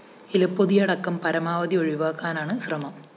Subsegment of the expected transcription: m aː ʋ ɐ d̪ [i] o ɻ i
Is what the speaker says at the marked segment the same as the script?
yes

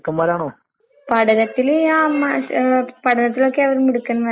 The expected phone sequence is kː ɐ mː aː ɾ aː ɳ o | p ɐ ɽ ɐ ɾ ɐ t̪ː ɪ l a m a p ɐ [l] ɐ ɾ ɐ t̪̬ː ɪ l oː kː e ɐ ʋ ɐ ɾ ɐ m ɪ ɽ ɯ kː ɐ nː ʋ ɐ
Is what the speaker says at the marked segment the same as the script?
no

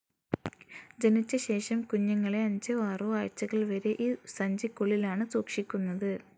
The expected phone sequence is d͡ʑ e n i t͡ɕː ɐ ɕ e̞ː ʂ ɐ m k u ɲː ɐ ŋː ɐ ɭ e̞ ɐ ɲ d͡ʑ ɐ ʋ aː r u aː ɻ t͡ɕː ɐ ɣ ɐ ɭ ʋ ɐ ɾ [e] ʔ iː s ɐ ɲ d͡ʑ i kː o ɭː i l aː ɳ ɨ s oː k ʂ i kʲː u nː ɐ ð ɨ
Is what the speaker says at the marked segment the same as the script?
yes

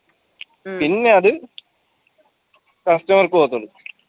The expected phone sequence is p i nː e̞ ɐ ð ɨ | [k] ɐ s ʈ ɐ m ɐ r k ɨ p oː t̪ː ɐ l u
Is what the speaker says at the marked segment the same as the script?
yes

